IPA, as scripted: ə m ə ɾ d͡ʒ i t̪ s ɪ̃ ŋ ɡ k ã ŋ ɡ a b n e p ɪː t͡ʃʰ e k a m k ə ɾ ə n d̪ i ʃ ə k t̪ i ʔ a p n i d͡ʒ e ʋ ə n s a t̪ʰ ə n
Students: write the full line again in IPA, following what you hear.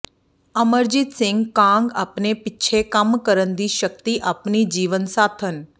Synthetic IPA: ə m ə ɾ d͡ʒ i t̪ s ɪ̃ ŋ ɡ k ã ŋ ɡ a p n e p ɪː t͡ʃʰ e k a m k ə ɾ ə n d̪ i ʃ ə k t̪ i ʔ a p n i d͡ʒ i ʋ ə n s a t̪ʰ ə n